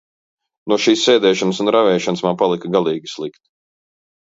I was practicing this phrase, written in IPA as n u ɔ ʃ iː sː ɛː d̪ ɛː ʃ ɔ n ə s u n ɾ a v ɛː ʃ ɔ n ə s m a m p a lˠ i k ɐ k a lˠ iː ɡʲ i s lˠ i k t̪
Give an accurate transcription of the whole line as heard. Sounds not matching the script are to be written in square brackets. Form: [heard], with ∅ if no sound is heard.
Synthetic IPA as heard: n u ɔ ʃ iː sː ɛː d̪ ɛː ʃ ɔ n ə s u n ɾ a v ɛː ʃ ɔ n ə s m a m p a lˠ i k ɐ [ɡ] a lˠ iː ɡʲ i s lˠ i k t̪